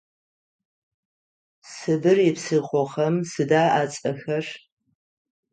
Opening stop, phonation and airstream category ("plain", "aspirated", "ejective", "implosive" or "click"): plain